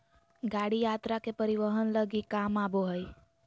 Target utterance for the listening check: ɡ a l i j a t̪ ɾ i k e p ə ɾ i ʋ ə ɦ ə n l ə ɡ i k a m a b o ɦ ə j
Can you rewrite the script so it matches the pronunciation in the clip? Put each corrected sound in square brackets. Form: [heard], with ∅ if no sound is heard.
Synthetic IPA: ɡ a [ɽ] i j a t̪ ɾ [a] k e p ə ɾ i ʋ ə ɦ ə n l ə ɡ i k a m a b o ɦ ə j